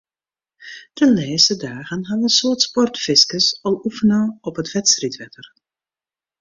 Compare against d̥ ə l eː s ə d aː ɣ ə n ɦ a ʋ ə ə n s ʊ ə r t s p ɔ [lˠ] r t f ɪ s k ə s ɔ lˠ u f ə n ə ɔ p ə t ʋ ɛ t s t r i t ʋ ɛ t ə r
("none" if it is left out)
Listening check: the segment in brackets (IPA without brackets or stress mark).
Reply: none